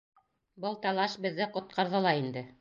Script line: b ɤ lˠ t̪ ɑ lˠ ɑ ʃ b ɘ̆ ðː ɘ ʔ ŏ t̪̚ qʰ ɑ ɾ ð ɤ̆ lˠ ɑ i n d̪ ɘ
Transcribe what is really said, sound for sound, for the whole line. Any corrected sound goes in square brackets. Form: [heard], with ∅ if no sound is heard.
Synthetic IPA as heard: b ɤ lˠ t̪ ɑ lˠ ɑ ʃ b ɘ̆ ðː ɘ [q] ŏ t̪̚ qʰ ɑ ɾ ð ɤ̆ lˠ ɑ i n d̪ ɘ